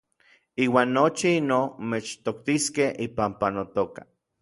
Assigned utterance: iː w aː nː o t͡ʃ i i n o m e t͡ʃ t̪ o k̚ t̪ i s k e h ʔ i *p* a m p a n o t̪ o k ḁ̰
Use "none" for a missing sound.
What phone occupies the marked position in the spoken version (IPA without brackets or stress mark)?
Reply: p